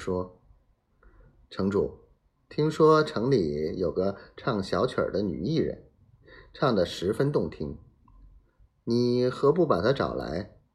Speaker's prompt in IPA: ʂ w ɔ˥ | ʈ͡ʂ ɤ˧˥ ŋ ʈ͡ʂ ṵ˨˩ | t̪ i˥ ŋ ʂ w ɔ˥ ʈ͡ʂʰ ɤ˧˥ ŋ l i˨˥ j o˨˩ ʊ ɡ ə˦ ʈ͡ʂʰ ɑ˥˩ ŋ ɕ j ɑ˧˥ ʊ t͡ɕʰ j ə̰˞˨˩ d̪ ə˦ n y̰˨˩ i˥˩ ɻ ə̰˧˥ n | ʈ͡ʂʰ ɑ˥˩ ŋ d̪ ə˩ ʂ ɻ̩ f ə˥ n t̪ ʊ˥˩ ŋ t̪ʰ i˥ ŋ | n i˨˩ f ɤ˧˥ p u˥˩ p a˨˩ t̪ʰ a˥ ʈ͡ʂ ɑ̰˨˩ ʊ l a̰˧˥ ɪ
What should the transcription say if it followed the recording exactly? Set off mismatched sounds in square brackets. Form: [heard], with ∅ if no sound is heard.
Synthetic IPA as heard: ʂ w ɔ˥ | [ʈ͡ʂʰ] ɤ˧˥ ŋ ʈ͡ʂ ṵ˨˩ | [t̪ʰ] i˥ ŋ ʂ w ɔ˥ ʈ͡ʂʰ ɤ˧˥ ŋ l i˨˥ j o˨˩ ʊ ɡ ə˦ ʈ͡ʂʰ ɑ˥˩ ŋ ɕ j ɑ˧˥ ʊ t͡ɕʰ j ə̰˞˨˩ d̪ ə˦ n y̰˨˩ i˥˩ ɻ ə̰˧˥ n | ʈ͡ʂʰ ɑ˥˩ ŋ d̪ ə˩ ʂ ɻ̩ f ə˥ n t̪ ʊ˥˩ ŋ t̪ʰ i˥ ŋ | n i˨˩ [x] ɤ˧˥ p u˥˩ p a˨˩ t̪ʰ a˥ ʈ͡ʂ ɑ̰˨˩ ʊ l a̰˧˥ ɪ